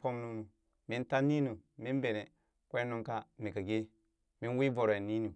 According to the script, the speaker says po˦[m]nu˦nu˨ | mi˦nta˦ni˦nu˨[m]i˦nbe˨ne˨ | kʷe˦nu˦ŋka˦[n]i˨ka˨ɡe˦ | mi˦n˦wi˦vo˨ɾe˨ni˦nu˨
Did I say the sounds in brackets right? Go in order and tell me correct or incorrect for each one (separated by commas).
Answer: correct, correct, incorrect